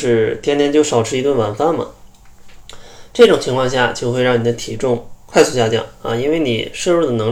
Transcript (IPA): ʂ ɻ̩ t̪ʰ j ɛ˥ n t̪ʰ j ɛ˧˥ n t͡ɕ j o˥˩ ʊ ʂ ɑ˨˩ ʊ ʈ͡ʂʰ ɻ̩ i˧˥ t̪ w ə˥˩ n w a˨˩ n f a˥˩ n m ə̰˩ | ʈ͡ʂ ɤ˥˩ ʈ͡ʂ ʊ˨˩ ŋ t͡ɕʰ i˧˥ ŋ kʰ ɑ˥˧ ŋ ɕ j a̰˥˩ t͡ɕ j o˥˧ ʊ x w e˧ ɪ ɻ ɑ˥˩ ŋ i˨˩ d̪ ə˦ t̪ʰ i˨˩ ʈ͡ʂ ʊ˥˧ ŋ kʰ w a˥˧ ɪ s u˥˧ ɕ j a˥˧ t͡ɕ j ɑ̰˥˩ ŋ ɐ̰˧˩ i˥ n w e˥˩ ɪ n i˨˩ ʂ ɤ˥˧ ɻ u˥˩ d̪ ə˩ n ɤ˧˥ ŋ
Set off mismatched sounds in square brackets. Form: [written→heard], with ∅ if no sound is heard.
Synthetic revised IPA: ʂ ɻ̩ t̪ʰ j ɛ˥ n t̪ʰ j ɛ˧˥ n t͡ɕ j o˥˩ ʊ ʂ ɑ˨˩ ʊ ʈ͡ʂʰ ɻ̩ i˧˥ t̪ w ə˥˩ n w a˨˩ n f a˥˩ n m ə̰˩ | ʈ͡ʂ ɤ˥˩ ʈ͡ʂ ʊ˨˩ ŋ t͡ɕʰ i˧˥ ŋ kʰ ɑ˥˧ ŋ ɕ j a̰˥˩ t͡ɕ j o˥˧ ʊ x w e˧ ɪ ɻ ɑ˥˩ [ŋ→n] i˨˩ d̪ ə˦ t̪ʰ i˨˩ ʈ͡ʂ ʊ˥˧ ŋ kʰ w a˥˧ ɪ s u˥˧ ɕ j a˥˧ t͡ɕ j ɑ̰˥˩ ŋ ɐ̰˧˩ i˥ n w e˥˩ ɪ n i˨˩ ʂ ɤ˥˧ ɻ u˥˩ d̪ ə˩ n ɤ˧˥ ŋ